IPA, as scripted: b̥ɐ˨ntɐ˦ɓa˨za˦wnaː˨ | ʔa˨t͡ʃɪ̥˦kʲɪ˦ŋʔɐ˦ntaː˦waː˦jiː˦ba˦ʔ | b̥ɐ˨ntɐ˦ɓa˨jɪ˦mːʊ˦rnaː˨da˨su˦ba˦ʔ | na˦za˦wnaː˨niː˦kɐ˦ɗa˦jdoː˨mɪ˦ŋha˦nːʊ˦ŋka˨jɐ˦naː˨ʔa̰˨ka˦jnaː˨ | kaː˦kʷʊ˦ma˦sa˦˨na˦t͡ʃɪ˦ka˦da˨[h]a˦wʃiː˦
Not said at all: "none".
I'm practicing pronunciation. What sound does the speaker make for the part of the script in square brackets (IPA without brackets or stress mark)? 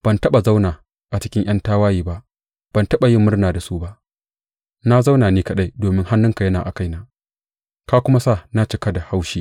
h